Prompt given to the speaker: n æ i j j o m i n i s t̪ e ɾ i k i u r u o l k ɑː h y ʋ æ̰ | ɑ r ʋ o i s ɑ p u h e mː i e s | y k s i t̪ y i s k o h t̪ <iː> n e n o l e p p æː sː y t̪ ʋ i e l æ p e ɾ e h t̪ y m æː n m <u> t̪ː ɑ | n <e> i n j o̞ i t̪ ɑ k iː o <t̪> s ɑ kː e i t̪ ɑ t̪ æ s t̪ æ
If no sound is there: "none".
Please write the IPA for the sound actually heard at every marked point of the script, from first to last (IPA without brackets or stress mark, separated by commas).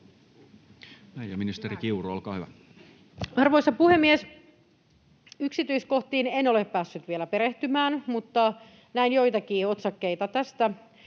iː, u, æ, t̪